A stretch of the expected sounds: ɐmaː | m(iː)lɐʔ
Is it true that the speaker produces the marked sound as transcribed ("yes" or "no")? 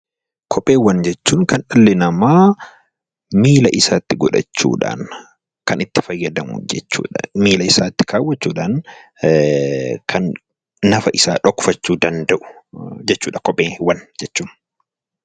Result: yes